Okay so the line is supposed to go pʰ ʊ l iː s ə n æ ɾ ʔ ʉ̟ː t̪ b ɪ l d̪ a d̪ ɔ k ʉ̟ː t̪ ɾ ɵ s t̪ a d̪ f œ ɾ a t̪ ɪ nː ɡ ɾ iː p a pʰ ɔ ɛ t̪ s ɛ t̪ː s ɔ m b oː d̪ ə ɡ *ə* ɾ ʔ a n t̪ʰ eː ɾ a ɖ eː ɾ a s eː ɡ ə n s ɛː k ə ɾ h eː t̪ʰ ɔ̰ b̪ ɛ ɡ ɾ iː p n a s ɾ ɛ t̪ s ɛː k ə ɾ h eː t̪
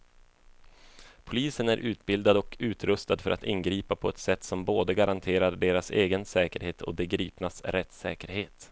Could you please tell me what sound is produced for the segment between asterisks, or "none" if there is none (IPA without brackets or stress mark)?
a